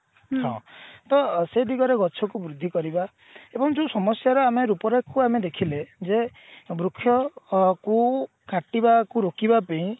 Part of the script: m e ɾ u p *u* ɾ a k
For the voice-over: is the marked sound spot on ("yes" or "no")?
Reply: no